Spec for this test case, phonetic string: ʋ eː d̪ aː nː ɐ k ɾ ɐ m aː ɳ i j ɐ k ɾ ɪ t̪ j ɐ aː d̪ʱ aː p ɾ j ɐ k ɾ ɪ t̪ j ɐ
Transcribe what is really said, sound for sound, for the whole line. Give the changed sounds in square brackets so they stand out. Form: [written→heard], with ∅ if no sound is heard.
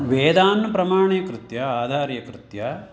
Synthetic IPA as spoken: ʋ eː d̪ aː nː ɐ [k→p] ɾ ɐ m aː ɳ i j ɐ k ɾ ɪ t̪ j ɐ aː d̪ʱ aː [p→∅] ɾ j ɐ k ɾ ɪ t̪ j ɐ